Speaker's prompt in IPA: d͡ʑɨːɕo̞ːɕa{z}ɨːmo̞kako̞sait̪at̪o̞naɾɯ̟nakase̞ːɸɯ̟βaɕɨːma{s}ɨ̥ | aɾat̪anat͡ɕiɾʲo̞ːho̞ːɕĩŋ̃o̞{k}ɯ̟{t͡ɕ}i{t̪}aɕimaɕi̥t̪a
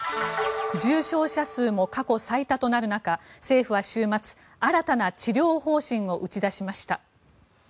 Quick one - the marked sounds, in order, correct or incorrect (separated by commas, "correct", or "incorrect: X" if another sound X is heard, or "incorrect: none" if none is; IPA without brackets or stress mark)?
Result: incorrect: s, incorrect: t͡s, incorrect: ʔ, correct, incorrect: d̪